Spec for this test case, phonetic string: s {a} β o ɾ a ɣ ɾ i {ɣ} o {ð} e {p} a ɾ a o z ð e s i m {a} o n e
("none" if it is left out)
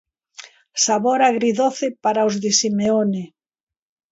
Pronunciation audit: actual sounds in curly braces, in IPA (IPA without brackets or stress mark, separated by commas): a, ð, θ, p, e